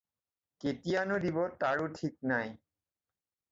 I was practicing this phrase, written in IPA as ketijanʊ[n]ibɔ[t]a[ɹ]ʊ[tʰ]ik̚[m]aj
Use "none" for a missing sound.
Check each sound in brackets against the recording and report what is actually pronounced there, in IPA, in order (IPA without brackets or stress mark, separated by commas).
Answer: d, t, ɹ, tʰ, n